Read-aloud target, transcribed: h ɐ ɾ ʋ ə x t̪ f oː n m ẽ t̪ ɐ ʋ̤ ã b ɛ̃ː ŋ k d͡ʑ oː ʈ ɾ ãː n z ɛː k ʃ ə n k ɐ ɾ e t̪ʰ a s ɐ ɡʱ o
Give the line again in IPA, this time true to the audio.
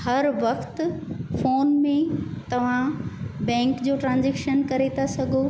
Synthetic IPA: h ɐ ɾ ʋ ɐ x t̪ f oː n m ẽ t̪ ɐ ʋ̤ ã b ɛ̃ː ŋ k d͡ʑ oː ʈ ɾ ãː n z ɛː k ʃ ə n k ɐ ɾ e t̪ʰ a s ɐ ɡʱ o